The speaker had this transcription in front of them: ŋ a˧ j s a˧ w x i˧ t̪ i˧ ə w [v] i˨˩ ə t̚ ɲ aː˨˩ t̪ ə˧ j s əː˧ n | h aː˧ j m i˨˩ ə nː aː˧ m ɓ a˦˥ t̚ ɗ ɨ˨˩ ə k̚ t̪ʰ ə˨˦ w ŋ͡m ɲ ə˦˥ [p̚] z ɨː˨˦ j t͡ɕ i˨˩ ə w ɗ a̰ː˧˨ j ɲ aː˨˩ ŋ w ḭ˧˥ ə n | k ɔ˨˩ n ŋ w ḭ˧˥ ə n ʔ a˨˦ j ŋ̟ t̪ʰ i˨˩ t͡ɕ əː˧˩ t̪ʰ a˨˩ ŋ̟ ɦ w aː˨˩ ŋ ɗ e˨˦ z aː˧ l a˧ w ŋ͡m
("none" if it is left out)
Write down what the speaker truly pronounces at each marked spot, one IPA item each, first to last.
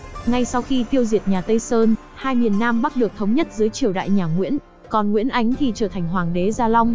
z, t̚

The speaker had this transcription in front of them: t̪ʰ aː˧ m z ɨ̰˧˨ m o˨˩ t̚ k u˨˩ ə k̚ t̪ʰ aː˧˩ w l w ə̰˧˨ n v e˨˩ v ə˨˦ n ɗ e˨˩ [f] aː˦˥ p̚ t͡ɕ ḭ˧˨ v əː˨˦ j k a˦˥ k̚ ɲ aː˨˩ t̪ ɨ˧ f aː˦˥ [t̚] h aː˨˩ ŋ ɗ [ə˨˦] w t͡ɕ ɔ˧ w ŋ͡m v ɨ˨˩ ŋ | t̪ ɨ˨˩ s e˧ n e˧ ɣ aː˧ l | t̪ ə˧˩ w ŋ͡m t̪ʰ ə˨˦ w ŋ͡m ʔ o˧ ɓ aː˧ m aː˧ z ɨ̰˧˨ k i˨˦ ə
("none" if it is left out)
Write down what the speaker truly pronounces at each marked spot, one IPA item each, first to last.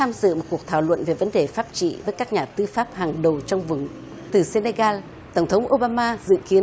f, p̚, ə˨˩

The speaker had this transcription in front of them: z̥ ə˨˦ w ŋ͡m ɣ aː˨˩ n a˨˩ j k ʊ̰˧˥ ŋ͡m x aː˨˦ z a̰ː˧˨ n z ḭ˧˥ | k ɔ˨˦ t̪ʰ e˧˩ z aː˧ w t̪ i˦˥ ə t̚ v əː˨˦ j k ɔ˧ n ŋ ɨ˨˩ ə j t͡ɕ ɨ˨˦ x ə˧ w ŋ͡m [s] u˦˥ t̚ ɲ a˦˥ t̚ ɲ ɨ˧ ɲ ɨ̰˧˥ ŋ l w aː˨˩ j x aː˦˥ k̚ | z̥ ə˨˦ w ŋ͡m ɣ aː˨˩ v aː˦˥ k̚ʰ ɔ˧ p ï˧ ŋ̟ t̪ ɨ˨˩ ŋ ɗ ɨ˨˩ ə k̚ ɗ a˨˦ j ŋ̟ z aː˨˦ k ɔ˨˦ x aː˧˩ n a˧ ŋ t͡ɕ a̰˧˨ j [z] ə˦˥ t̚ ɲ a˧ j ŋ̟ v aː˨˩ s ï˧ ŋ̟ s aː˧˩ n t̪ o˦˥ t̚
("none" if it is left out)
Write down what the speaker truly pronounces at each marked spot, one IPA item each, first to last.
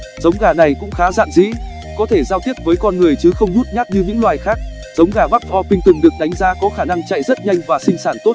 z, z

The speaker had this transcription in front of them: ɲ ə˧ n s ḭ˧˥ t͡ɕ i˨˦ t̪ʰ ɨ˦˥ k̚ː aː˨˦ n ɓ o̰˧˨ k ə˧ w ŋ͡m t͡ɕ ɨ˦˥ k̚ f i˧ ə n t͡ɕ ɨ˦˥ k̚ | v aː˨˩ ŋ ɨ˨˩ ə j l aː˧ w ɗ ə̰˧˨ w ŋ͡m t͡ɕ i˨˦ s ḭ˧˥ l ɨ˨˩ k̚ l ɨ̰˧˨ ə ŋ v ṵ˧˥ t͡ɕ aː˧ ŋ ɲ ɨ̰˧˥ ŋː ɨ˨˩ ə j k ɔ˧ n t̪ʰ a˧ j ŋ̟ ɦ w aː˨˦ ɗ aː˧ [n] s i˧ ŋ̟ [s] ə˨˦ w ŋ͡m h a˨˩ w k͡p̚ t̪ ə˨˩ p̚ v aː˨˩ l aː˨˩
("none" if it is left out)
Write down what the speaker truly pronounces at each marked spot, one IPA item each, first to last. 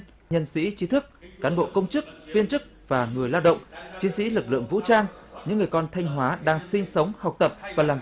ŋ, s

